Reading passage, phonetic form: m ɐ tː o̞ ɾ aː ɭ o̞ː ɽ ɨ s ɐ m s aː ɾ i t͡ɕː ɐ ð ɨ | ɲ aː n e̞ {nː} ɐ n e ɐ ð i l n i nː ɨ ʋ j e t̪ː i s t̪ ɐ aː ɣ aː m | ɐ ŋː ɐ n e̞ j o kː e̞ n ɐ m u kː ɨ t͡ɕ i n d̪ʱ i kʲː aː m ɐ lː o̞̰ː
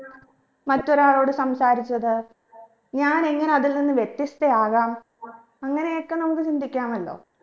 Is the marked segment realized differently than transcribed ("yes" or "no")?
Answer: yes